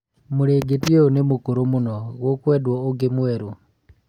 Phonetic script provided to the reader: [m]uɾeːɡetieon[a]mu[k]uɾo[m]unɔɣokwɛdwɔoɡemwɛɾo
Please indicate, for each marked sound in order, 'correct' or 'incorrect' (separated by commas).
correct, incorrect, correct, correct